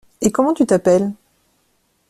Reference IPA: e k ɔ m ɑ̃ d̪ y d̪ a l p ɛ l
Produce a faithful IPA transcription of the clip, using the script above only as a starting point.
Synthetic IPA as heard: e k ɔ m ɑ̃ t̪ y t̪ a p ɛ l